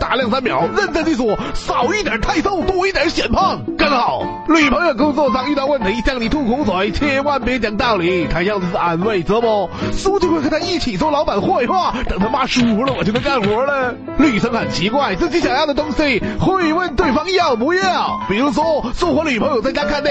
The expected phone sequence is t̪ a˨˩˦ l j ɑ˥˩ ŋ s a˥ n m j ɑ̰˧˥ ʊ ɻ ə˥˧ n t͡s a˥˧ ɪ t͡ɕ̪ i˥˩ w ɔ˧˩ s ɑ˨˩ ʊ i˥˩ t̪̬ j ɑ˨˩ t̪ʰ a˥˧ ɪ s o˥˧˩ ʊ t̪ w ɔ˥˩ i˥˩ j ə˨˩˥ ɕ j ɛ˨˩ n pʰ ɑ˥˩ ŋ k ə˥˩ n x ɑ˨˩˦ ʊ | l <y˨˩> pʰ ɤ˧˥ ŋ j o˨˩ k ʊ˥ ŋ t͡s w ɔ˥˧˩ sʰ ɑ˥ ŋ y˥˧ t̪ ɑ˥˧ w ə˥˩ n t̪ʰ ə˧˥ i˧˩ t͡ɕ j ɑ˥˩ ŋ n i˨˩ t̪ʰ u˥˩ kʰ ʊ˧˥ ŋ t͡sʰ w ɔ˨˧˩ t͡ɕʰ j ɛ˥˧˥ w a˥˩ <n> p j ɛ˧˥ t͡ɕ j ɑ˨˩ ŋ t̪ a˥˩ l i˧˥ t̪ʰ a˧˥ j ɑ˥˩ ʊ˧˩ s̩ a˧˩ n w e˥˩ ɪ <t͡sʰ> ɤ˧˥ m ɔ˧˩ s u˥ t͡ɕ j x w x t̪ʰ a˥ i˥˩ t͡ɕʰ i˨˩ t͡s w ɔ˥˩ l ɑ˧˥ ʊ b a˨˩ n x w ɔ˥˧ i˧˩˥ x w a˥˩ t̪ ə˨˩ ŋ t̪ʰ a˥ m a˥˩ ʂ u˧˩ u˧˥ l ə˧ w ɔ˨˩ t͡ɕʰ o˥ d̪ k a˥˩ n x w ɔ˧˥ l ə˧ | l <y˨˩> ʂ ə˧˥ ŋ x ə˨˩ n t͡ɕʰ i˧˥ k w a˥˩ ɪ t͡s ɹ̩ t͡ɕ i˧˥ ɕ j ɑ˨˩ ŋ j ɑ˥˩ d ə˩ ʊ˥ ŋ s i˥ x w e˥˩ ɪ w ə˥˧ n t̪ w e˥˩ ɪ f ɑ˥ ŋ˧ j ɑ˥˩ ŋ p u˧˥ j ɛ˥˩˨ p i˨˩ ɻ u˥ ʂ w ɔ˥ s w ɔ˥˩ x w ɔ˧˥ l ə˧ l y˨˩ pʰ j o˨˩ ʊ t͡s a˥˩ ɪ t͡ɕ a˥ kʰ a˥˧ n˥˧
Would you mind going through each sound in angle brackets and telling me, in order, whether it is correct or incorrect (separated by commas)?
correct, correct, incorrect, correct